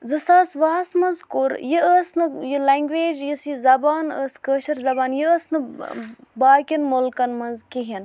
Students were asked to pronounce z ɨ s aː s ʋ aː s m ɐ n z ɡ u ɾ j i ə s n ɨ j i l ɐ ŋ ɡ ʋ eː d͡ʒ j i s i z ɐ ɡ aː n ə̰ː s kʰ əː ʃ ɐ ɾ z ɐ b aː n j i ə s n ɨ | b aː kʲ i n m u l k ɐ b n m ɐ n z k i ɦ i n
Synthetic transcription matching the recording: z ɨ s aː s ʋ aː s m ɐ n z k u ɾ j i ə s n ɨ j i l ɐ ŋ ɡ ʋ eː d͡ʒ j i s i z ɐ b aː n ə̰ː s k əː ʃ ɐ ɾ z ɐ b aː n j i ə s n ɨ | b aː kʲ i n m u l k ɐ n m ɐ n z k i ɦ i n